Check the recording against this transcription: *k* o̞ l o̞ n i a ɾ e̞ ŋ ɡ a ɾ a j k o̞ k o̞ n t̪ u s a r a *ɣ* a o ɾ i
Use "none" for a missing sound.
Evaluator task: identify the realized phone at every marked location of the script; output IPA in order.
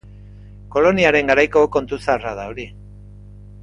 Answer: k, ð

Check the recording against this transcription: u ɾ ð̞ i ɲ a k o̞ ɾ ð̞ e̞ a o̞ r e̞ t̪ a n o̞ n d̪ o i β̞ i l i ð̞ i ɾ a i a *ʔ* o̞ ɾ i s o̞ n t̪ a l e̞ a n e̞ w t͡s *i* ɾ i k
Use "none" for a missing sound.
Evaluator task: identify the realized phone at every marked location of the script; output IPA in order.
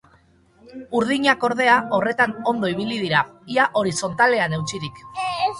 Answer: ʔ, i

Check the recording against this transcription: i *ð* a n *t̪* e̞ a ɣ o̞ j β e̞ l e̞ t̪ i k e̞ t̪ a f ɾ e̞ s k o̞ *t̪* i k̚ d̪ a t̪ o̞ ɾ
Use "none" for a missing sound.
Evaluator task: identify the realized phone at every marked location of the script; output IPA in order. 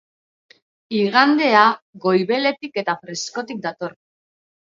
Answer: ɣ, d̪, t̪

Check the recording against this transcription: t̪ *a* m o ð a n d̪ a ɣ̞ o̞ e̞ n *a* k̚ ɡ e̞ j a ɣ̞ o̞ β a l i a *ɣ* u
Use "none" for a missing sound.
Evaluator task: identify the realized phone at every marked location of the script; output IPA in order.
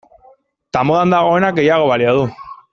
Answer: a, a, ð

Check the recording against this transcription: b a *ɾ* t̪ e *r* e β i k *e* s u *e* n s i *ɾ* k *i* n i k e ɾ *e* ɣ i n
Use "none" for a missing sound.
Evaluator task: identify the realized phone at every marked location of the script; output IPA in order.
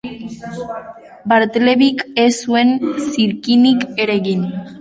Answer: ɾ, l, e, e, ɾ, i, e

